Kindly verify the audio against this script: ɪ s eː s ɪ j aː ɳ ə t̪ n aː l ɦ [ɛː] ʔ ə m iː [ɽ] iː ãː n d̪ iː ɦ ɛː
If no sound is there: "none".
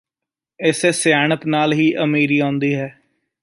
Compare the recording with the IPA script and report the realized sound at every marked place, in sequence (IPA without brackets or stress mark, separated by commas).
iː, ɾ